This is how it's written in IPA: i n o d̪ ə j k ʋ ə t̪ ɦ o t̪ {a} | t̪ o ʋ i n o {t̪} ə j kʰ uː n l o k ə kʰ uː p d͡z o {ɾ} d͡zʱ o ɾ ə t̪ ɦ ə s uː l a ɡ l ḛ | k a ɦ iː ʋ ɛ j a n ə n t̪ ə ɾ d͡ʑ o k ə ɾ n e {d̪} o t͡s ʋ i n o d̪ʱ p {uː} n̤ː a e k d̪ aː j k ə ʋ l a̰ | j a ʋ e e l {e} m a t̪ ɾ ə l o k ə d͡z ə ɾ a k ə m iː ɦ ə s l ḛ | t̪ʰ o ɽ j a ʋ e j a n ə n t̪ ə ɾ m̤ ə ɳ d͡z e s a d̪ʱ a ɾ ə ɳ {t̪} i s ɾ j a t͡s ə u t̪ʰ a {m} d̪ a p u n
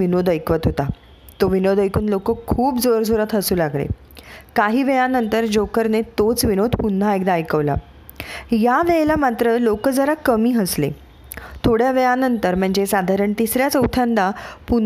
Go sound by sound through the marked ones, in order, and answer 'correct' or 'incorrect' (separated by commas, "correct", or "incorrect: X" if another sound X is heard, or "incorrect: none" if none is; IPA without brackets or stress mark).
correct, incorrect: d̪, correct, incorrect: t̪, incorrect: u, incorrect: a, correct, incorrect: n